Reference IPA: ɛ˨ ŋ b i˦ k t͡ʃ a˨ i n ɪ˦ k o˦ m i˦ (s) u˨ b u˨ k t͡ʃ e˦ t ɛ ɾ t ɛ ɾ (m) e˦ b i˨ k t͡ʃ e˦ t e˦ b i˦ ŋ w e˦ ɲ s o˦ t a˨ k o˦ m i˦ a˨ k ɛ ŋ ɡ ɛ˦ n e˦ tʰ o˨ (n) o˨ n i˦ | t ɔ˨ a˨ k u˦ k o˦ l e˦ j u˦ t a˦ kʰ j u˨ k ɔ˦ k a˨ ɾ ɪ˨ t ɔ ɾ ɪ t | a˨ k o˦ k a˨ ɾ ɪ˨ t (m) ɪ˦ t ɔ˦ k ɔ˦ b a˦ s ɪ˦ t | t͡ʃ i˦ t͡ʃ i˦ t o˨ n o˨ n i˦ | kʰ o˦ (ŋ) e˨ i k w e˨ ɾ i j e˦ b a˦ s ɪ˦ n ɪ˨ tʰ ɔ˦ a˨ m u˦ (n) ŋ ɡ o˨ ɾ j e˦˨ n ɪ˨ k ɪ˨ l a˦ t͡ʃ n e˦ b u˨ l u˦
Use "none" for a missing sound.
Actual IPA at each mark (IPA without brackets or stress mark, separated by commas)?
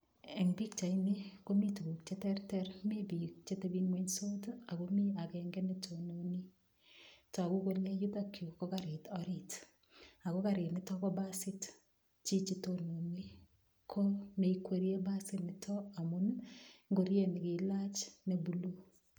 t, m, n, n, m, n